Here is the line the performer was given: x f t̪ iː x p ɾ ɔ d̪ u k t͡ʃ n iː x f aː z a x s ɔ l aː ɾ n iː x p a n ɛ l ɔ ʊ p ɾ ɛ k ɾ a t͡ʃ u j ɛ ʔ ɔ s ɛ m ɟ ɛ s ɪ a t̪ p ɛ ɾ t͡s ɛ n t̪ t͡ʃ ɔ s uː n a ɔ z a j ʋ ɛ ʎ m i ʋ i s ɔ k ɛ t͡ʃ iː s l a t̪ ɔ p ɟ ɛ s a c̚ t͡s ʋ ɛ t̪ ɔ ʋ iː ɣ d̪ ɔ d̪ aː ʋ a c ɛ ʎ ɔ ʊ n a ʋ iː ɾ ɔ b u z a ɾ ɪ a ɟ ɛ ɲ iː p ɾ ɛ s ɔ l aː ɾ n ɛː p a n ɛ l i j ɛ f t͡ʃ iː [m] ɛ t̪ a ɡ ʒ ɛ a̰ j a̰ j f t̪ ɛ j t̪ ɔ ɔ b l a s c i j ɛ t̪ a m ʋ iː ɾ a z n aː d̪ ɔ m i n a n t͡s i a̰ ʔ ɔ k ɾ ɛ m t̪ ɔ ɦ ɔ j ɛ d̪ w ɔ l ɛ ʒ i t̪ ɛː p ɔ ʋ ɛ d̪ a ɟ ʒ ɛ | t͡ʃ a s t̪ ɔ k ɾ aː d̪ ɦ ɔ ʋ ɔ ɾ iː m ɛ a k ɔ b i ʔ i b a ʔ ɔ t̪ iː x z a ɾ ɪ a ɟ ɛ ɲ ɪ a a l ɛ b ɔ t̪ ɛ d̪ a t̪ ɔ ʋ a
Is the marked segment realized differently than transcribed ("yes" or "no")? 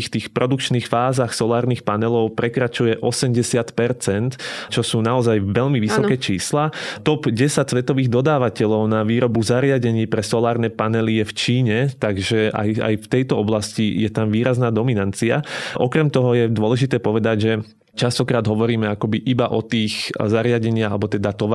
yes